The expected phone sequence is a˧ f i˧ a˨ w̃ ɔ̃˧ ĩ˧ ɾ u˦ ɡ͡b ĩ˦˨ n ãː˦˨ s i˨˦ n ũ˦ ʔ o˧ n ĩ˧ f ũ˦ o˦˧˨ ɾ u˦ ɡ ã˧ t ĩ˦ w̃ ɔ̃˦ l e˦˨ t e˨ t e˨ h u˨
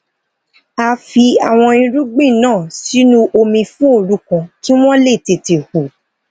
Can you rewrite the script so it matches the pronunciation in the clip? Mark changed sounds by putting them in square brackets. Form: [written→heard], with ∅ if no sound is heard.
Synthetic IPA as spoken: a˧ f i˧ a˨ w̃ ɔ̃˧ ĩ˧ ɾ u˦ ɡ͡b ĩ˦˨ n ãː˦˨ s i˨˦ n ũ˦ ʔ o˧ [n→m] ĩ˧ f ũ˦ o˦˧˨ ɾ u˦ [ɡ→k] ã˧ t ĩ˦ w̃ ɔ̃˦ l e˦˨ t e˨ t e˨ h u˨